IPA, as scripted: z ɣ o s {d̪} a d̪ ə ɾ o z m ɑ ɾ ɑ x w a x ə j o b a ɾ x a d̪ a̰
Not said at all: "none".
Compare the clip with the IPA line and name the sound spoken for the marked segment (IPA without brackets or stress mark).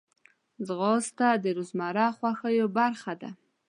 t̪